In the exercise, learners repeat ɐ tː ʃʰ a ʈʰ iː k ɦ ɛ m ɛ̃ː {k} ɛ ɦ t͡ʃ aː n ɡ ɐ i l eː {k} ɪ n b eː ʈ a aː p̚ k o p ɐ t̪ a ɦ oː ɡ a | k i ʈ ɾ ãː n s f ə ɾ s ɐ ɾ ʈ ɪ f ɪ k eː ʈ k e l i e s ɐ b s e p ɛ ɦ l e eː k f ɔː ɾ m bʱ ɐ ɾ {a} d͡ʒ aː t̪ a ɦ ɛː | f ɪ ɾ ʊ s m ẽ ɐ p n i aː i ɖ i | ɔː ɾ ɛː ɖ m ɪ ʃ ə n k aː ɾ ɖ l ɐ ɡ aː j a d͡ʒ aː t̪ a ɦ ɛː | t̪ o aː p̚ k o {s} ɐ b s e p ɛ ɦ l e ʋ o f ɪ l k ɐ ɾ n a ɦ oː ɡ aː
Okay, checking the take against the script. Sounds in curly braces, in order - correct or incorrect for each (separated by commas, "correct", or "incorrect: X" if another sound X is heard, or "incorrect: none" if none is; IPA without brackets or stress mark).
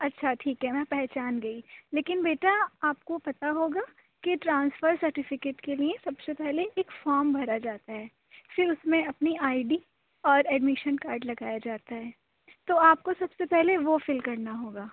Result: incorrect: p, correct, correct, correct